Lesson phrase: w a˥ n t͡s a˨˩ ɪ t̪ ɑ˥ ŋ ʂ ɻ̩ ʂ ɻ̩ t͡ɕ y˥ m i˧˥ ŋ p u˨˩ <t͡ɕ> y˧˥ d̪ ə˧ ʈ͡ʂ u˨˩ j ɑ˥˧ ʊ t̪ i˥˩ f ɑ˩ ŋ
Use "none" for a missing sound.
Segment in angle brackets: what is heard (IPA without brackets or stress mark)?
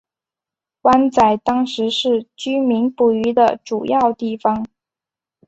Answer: none